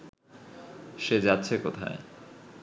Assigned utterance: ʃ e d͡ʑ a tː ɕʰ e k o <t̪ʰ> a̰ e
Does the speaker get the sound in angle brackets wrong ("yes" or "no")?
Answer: no